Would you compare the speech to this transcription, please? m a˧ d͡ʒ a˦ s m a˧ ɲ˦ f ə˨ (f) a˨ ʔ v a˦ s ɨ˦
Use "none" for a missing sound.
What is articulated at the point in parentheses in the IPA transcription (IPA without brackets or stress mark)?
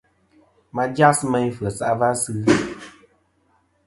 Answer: s